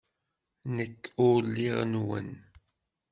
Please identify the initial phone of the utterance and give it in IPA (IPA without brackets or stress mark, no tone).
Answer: n